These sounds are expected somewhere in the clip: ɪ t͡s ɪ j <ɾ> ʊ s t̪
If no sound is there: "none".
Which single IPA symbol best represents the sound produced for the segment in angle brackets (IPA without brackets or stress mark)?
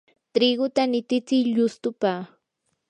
ʎ